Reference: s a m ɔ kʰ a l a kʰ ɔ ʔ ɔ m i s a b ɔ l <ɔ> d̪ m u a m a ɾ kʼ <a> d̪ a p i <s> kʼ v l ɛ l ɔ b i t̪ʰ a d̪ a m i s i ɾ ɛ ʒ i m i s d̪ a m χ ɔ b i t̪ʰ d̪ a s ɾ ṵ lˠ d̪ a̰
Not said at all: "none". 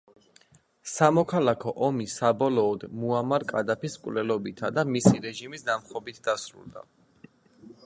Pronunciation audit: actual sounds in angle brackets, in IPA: ɔː, a, s

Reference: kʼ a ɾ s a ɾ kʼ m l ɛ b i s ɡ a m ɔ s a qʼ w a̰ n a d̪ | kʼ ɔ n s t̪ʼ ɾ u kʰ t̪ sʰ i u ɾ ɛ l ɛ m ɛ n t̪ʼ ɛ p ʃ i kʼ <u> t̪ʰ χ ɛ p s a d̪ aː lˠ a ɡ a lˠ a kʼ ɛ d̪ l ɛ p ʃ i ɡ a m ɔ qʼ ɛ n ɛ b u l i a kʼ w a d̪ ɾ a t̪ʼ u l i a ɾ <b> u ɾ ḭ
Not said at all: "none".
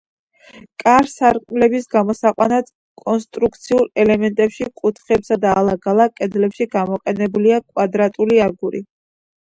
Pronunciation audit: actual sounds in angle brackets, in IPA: u, ɡ

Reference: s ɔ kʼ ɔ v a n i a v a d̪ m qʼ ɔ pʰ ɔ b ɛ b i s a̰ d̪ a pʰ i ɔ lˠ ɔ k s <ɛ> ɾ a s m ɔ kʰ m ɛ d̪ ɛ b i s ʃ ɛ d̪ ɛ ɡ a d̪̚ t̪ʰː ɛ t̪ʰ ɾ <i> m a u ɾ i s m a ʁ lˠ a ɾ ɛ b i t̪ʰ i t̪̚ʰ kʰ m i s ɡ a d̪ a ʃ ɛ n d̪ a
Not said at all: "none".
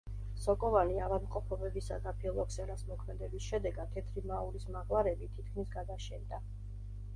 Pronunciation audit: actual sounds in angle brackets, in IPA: ɛ, i

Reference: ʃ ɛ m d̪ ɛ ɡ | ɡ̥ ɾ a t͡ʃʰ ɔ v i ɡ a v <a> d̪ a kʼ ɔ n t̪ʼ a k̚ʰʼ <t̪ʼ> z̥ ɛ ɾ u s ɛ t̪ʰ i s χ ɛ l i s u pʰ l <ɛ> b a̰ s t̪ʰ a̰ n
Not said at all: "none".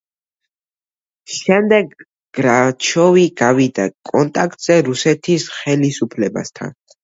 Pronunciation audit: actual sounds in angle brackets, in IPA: i, t̪ʼ, ɛ

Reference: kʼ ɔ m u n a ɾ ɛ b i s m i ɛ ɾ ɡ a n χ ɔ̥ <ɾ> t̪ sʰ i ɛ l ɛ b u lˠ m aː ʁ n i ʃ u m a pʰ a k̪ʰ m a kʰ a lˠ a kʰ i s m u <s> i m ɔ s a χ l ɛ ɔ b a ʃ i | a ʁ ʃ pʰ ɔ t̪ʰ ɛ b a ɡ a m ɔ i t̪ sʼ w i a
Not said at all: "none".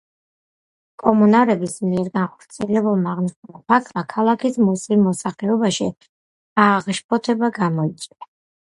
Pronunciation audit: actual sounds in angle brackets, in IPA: ɾ, s

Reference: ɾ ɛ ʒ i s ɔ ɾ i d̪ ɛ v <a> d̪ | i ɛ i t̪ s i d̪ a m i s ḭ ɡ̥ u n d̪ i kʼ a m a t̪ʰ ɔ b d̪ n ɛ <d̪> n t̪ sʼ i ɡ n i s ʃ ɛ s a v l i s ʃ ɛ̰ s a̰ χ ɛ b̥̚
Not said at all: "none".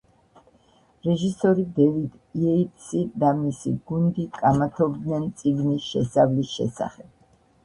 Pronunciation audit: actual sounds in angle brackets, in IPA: i, none

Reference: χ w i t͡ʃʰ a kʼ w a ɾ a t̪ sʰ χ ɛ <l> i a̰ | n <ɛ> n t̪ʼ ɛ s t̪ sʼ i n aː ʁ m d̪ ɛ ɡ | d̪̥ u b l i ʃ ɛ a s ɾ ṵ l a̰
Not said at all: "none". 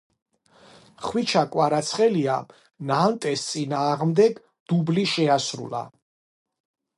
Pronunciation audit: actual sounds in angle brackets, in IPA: l, a

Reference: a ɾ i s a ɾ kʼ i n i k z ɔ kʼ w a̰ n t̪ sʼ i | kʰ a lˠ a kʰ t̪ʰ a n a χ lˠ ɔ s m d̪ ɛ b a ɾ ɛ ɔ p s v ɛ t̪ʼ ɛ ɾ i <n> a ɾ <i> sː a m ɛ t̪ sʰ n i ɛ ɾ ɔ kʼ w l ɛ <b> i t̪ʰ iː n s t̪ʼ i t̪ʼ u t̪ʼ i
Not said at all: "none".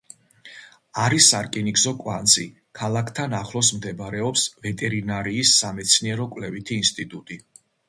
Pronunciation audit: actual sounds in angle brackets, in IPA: n, iː, v

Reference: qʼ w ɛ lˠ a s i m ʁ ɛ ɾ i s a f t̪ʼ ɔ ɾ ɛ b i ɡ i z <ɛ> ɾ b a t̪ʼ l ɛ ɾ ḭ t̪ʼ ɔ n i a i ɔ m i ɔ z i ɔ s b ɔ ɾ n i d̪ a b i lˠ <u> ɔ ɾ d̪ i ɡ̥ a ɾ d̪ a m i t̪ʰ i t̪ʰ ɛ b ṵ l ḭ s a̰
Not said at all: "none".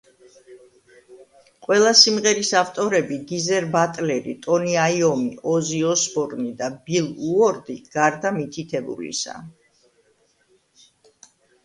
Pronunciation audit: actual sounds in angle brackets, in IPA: ɛ, u

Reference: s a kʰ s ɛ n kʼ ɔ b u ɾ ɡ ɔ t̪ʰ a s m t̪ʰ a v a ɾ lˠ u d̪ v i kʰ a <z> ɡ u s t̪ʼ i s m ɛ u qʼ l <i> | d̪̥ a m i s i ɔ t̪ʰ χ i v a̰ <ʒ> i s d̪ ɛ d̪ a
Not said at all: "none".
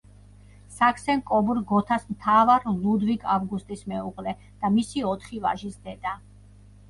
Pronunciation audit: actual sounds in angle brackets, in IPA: v, ɛ, ʒ

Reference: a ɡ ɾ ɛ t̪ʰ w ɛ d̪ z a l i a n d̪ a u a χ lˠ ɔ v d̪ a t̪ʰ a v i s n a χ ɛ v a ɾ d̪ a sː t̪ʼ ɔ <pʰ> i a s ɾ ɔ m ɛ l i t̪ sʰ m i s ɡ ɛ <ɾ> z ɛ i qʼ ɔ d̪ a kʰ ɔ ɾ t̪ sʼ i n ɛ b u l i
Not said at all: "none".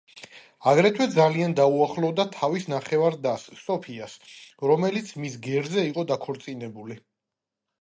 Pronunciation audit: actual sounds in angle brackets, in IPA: pʰ, ɾ

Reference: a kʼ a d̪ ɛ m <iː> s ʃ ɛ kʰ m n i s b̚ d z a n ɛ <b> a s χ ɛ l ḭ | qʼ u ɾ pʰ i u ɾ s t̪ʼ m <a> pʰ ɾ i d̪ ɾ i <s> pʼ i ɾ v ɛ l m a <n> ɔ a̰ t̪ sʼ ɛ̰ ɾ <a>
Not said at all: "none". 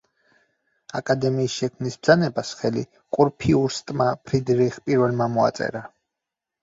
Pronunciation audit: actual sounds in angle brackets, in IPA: iː, b, a, χ, m, a

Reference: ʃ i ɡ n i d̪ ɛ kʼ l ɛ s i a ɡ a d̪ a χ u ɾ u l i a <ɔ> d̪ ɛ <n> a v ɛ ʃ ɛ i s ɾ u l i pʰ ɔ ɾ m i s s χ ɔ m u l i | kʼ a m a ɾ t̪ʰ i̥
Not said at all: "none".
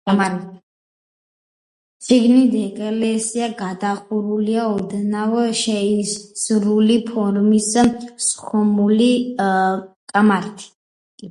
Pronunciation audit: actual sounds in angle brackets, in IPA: ɔ, n

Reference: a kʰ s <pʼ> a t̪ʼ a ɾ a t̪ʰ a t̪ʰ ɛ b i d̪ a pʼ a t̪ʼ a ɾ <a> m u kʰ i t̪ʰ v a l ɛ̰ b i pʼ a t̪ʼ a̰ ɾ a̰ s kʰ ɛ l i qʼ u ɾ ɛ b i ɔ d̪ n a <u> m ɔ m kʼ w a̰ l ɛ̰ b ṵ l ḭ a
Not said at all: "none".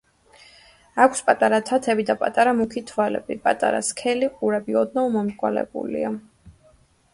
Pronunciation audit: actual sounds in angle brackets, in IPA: pʼ, a, u

